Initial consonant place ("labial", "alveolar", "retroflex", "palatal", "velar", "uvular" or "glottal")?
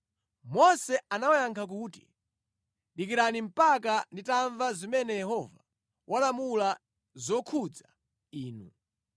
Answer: labial